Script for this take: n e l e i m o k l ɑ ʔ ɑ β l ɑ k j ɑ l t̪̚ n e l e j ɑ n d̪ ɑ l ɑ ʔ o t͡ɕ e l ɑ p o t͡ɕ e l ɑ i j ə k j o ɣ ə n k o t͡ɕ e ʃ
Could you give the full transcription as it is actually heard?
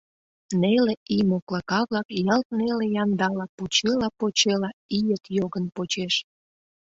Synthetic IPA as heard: n e l e i m o k l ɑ k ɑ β l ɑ k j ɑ l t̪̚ n e l e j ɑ n d̪ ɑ l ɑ p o t͡ɕ e l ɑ p o t͡ɕ e l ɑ i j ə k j o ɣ ə n p o t͡ɕ e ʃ